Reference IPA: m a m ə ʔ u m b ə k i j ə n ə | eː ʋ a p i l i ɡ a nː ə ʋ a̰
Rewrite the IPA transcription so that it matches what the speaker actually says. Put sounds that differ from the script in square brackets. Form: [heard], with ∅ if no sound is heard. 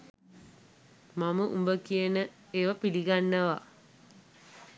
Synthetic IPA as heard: m a m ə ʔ u m b ə k i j ə n ə | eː ʋ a p i l i ɡ a nː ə ʋ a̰